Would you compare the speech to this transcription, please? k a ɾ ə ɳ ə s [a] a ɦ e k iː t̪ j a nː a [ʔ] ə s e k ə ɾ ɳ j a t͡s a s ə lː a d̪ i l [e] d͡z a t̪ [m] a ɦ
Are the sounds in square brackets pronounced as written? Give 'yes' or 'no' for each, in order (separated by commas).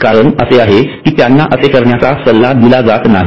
no, yes, no, no